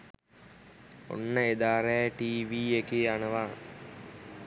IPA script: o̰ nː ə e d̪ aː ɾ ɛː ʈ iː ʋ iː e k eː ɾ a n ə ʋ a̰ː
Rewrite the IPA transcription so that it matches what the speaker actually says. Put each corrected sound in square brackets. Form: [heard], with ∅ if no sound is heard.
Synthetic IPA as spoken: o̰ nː ə e d̪ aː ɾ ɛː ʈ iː ʋ iː e k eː [∅] a n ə ʋ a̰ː